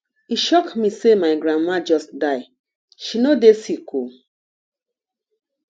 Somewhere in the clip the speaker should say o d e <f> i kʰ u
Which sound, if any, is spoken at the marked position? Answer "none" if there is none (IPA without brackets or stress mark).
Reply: s